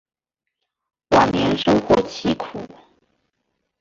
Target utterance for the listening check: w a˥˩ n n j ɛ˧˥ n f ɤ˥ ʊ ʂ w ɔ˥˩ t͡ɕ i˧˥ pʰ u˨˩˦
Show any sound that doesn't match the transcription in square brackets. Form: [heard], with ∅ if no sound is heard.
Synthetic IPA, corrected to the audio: w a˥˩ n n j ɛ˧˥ n [ʂ] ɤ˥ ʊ [x] w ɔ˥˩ [t͡ɕʰ] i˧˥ [kʰ] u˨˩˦